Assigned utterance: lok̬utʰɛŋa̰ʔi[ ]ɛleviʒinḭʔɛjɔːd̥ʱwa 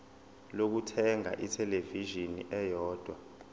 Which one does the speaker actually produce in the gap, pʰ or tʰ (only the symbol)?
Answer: tʰ